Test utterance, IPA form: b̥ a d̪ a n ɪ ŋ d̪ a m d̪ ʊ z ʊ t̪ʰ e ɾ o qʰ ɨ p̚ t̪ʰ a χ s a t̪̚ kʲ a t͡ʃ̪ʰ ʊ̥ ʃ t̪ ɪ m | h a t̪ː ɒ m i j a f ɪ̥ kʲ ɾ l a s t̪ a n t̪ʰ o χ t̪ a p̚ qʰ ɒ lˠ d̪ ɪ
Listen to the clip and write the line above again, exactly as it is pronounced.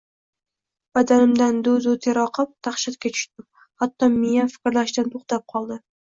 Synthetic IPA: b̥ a d̪ a n ɪ m d̪ a n d̪ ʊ z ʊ t̪ʰ e ɾ ɒ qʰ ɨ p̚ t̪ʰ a χ ʃ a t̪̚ kʲ a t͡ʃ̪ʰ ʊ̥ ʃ t̪ ɪ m | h a t̪ː ɒ m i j a f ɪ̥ kʲ ɾ l a ʃ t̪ a n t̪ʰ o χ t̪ a p̚ qʰ ɒ lˠ d̪ ɪ